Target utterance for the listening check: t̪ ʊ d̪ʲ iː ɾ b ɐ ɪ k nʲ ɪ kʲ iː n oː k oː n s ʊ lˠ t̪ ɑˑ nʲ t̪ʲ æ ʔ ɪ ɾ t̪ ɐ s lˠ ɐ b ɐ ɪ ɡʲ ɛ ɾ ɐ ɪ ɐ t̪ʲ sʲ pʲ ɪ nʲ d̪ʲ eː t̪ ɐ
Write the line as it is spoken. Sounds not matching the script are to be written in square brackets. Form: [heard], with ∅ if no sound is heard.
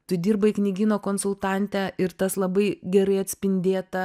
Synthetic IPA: t̪ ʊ d̪ʲ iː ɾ b ɐ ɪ k nʲ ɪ [ɡʲ] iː n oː k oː n s ʊ lˠ t̪ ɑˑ nʲ t̪ʲ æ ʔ ɪ ɾ t̪ ɐ s lˠ ɐ b ɐ ɪ ɡʲ ɛ ɾ ɐ ɪ ɐ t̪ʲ sʲ pʲ ɪ nʲ d̪ʲ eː t̪ ɐ